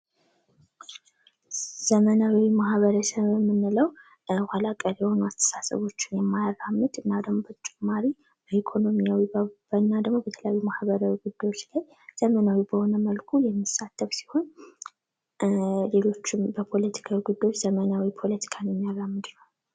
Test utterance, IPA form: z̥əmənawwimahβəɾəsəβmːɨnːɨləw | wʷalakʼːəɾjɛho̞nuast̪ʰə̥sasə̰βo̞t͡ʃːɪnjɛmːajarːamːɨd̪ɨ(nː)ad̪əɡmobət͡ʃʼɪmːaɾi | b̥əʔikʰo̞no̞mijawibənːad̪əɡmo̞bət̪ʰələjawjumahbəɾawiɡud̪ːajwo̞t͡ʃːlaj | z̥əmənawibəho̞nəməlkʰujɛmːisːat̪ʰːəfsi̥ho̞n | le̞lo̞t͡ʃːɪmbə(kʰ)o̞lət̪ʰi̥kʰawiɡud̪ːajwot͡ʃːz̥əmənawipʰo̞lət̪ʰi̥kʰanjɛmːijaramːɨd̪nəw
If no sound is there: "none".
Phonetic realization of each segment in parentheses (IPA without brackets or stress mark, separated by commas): nː, pʰ